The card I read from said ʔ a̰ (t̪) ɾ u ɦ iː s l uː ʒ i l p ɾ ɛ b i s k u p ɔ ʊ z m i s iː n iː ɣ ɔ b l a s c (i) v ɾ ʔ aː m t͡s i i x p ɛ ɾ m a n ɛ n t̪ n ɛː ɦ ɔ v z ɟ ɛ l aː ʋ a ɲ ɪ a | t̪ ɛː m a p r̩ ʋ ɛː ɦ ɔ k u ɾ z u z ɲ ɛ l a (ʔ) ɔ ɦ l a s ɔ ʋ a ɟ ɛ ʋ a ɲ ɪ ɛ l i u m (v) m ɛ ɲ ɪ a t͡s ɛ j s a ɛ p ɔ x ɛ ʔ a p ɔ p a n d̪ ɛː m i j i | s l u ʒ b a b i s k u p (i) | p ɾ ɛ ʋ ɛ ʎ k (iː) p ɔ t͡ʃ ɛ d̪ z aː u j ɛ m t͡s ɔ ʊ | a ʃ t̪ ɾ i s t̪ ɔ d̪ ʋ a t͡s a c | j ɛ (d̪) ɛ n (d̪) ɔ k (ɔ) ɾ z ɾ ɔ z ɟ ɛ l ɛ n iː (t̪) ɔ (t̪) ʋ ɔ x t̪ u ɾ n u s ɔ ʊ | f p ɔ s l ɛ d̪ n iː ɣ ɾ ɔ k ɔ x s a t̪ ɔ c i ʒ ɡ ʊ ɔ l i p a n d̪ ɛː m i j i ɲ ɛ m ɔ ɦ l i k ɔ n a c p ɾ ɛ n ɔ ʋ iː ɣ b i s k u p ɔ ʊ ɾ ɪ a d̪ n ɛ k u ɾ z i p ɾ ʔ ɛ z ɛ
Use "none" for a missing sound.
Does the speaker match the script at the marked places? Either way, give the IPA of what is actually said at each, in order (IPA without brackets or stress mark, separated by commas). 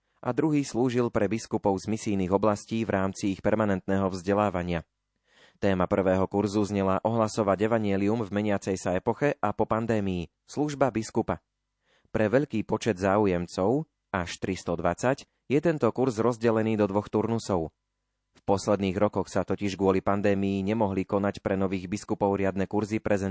d̪, iː, ʔ, v, a, iː, t̪, t̪, u, d̪, d̪